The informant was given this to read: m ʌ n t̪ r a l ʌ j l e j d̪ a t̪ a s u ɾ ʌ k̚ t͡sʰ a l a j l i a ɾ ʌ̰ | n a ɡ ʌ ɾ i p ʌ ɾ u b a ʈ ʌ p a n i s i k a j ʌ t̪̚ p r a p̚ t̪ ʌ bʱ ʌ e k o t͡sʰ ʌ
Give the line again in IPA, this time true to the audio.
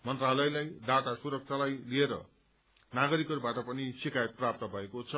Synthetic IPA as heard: m ʌ n t̪ r a l ʌ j l a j d̪ a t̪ a s u ɾ ʌ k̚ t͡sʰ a l a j l i e ɾ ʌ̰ | n a ɡ ʌ ɾ i k ʌ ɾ u b a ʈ ʌ p ʌ n i s i k a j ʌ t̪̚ p r a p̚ t̪ ʌ bʱ ʌ e k o t͡sʰ ʌ